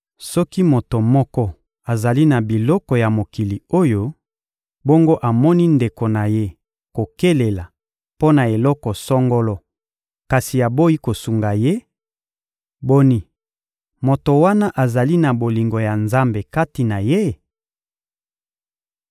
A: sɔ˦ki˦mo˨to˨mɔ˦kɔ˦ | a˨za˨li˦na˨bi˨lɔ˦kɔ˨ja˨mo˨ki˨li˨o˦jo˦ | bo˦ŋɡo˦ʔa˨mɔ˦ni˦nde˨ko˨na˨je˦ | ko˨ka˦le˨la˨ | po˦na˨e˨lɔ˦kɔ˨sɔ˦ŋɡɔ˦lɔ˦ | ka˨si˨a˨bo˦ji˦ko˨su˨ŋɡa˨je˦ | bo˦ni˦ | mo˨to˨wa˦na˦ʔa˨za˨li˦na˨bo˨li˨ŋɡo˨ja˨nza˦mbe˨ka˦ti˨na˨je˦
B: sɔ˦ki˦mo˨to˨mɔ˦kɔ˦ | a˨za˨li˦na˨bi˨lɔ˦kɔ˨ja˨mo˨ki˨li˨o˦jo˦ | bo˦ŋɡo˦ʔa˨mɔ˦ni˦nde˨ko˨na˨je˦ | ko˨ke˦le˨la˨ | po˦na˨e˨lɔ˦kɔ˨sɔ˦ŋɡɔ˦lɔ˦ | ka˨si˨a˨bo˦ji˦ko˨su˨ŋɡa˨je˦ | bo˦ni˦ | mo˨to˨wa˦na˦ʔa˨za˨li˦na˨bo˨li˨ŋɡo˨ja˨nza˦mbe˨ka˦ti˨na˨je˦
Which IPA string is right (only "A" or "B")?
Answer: B